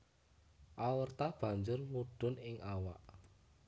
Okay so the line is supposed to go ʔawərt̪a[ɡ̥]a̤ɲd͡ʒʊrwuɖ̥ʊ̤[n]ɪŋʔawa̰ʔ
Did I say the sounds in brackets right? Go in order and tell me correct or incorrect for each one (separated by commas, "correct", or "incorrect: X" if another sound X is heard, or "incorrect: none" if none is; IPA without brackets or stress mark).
incorrect: b̥, correct